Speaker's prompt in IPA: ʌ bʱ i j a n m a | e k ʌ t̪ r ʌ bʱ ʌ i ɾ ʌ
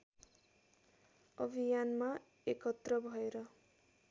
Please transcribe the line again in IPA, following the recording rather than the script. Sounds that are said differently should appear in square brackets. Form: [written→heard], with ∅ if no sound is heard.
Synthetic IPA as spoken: ʌ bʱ i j a n m a | e k ʌ t̪ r ʌ bʱ ʌ [i→e] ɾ ʌ